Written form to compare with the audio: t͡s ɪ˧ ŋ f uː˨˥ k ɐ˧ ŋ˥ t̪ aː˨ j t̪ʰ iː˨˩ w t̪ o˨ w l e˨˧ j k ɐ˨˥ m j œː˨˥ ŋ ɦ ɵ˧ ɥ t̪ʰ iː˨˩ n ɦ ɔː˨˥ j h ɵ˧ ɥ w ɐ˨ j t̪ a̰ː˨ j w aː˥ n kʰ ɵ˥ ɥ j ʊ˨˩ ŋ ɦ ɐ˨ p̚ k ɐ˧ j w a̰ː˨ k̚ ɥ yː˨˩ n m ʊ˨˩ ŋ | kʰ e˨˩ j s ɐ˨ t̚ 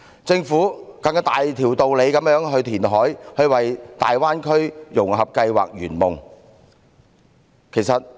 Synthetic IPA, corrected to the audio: t͡s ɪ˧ ŋ f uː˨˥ k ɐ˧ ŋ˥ t̪ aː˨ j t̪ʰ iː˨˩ w t̪ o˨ w l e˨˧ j k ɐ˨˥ m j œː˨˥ ŋ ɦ ɵ˧ ɥ t̪ʰ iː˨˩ n ɦ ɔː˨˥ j h ɵ˧ ɥ w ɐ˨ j t̪ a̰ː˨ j w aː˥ n kʰ ɵ˥ ɥ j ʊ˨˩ ŋ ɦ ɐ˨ p̚ k ɐ˧ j w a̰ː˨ k̚ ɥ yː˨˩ n m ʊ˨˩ ŋ | kʰ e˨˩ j s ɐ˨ t̚